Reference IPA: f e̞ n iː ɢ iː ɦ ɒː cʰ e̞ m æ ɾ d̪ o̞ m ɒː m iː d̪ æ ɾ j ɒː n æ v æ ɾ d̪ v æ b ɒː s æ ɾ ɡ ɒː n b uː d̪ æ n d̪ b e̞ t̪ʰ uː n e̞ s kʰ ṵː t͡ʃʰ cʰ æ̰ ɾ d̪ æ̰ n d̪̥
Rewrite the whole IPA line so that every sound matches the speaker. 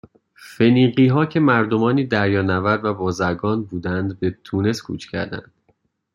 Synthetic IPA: f e̞ n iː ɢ iː ɦ ɒː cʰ e̞ m æ ɾ d̪ o̞ m ɒː n iː d̪ æ ɾ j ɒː n æ v æ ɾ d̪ v æ b ɒː z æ ɾ ɡ ɒː n b uː d̪ æ n d̪ b e̞ t̪ʰ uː n e̞ s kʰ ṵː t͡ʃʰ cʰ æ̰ ɾ d̪ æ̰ n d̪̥